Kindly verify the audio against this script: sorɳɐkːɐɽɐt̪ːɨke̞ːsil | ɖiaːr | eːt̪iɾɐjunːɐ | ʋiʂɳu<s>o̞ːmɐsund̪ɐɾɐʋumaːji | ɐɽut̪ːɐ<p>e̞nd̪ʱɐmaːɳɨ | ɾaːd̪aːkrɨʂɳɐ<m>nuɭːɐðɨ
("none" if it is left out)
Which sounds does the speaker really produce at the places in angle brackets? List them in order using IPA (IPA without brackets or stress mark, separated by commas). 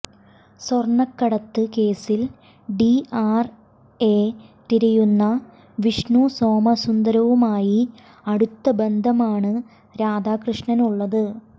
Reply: s, b, none